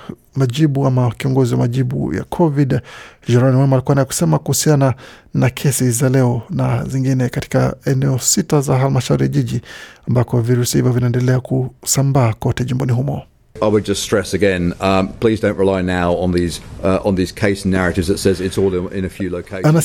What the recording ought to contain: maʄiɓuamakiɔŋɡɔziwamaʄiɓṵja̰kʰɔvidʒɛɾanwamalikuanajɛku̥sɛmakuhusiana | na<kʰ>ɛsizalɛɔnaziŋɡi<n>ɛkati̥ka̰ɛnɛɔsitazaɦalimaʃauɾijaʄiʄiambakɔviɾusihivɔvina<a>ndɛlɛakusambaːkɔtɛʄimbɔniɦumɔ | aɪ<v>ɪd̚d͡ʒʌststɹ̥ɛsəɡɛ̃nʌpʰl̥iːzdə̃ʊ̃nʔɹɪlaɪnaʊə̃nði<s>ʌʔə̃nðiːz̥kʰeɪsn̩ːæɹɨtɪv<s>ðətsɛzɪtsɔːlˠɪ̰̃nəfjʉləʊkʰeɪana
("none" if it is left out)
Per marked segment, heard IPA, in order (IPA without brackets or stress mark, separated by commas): kʰ, n, ɛ, w, z, z